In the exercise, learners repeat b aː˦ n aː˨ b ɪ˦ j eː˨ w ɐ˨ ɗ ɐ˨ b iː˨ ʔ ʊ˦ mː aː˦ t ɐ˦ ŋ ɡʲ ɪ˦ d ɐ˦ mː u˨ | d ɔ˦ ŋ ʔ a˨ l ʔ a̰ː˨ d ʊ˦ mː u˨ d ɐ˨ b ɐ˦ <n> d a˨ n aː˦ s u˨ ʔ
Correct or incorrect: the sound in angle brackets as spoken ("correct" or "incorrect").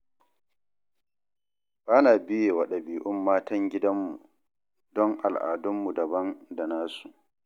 correct